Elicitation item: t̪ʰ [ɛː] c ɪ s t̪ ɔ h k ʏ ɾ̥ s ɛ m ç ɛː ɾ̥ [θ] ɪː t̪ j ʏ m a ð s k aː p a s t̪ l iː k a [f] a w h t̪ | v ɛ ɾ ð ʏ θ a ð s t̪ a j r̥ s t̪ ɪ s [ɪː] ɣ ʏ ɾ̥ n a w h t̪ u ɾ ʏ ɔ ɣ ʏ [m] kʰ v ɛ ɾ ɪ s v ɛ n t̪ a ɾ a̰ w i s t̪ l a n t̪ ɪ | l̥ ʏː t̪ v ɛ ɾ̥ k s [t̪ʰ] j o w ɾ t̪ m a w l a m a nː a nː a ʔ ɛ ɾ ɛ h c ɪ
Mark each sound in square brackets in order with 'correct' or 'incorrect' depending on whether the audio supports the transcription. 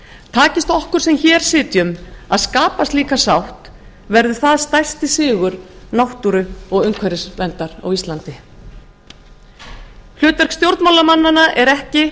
incorrect: aː, incorrect: s, incorrect: s, correct, incorrect: ŋ, incorrect: t̪

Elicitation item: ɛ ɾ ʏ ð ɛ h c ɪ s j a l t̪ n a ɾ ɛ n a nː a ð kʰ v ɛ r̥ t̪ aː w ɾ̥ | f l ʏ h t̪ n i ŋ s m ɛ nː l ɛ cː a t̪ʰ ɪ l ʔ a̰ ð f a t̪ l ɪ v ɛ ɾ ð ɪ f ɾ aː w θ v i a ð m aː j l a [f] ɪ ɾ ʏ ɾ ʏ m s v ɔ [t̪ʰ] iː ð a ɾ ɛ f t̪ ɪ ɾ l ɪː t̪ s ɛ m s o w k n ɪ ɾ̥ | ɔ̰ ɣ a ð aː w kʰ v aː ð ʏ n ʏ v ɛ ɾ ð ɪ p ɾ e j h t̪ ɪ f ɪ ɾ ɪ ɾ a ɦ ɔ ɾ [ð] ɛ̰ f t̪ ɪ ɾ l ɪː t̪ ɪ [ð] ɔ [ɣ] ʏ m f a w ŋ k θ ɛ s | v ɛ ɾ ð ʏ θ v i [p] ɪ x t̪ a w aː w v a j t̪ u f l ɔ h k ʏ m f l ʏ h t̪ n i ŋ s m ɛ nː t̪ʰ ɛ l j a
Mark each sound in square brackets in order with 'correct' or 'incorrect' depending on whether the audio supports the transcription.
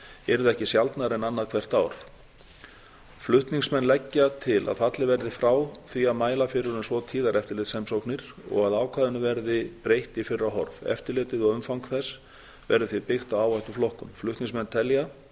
correct, correct, incorrect: v, correct, correct, correct

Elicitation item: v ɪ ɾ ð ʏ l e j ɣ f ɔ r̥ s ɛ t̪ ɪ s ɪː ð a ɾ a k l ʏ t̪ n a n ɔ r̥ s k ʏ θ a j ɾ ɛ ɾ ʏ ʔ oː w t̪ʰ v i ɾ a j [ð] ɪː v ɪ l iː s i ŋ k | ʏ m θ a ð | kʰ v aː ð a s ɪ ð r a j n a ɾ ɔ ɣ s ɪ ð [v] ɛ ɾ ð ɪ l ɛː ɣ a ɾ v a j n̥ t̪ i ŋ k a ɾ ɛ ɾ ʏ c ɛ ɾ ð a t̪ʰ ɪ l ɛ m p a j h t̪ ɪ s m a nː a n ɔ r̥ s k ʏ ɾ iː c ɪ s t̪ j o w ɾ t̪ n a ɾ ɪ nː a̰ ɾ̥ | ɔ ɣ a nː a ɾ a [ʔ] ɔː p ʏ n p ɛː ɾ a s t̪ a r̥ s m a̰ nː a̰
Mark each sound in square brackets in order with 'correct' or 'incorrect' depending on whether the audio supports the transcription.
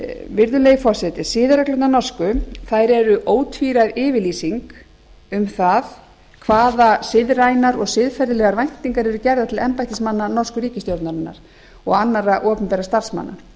correct, incorrect: f, correct

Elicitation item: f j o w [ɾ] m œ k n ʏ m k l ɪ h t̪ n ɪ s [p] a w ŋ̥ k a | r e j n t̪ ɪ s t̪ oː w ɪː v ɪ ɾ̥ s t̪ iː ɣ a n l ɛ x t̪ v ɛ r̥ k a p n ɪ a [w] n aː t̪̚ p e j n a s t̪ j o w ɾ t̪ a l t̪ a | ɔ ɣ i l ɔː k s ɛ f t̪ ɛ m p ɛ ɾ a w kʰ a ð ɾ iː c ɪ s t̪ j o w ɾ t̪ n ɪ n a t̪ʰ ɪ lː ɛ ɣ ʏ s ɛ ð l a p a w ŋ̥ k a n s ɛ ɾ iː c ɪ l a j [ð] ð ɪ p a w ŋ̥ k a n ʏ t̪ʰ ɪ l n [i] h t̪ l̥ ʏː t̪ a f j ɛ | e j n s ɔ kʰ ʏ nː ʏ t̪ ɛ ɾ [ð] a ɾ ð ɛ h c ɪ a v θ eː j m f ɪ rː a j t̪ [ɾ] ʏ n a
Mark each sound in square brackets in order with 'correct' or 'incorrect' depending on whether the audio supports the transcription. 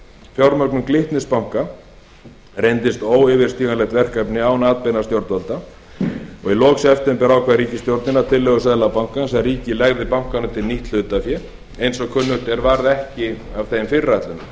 correct, correct, correct, incorrect: ɣ, correct, incorrect: v, incorrect: l

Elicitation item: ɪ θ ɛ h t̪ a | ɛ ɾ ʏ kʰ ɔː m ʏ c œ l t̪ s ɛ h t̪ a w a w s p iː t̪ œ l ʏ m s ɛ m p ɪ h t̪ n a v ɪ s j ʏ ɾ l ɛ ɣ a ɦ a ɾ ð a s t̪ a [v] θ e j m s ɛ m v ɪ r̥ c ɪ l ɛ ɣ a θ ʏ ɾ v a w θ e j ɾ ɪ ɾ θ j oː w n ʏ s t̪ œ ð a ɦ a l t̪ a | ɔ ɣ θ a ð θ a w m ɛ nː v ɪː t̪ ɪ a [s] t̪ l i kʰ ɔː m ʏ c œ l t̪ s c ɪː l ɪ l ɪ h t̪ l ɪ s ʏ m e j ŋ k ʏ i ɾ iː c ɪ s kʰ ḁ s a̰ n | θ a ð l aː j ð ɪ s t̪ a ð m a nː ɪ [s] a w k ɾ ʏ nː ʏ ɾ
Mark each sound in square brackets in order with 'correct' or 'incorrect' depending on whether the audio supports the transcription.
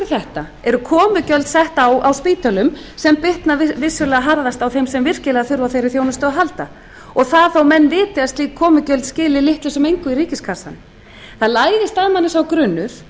incorrect: w, correct, correct

